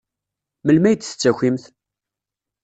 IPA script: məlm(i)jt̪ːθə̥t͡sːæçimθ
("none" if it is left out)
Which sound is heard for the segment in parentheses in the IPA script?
æ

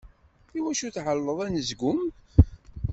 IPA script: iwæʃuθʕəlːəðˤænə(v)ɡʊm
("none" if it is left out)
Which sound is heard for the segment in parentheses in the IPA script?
z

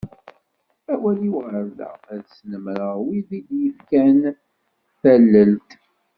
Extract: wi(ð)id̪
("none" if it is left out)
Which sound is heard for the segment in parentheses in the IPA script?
ð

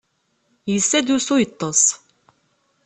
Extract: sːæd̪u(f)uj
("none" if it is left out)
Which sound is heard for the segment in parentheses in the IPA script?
s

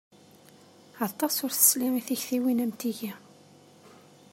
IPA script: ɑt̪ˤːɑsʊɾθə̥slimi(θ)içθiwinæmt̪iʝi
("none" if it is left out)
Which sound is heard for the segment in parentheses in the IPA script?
θ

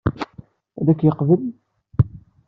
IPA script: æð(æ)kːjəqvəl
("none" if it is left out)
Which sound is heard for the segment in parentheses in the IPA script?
æ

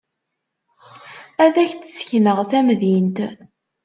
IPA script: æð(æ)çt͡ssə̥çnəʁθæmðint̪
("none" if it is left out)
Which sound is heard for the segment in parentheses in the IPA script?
æ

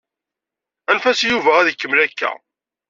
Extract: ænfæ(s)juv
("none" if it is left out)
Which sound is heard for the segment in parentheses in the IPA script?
s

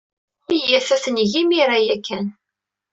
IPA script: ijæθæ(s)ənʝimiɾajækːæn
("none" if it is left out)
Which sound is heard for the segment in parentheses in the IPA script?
θ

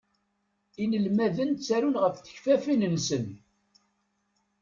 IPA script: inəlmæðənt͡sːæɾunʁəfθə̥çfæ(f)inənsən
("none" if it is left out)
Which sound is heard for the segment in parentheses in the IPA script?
f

